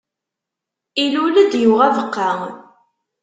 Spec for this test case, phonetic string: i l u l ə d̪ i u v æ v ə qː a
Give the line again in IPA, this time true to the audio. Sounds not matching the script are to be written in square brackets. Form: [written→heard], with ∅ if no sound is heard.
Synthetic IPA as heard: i l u l ə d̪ [i→j] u [v→ʁ] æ v ə qː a

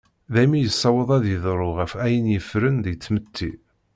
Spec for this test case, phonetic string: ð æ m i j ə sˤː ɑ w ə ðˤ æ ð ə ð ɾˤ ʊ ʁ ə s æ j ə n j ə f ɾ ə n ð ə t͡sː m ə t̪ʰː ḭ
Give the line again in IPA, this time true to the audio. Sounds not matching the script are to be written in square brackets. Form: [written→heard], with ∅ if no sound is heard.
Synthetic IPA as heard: ð æ m i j ə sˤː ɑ w ə ðˤ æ ð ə ð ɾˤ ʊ ʁ ə [s→f] æ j ə n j ə f ɾ ə n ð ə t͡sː m ə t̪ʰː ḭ

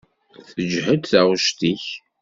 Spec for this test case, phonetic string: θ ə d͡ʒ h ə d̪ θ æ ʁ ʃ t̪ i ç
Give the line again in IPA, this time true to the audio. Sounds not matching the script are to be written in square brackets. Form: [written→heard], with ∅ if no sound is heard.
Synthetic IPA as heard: θ ə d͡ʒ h ə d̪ θ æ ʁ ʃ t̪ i ç

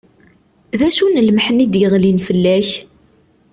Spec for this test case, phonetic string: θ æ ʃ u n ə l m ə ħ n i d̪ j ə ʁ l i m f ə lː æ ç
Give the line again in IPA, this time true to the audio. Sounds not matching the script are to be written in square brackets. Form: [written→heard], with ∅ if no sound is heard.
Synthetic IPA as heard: [θ→ð] æ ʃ u n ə l m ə ħ n i d̪ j ə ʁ l i [m→n] f ə lː æ ç

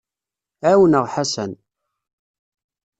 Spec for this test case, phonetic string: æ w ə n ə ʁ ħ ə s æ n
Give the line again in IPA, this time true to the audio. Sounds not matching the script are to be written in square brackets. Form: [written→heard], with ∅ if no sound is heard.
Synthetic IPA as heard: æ w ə n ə ʁ ħ [ə→a] s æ n

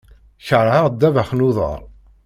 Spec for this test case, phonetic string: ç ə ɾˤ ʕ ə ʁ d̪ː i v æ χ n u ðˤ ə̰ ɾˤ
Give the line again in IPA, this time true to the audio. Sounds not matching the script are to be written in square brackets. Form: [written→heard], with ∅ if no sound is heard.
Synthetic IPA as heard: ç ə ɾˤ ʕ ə ʁ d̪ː [i→æ] v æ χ n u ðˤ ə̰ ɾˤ

